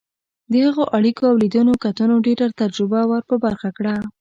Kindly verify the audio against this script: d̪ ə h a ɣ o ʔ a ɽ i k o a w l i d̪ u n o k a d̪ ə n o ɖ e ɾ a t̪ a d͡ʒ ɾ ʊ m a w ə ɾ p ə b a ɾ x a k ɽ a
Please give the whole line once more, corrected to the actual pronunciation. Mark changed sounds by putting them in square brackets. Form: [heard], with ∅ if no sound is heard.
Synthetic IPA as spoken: d̪ ə h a ɣ o ʔ a ɽ i k o a w l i d̪ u n o k a [t̪] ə n o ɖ e ɾ a t̪ a d͡ʒ ɾ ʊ [b] a w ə ɾ p ə b a ɾ x a k ɽ a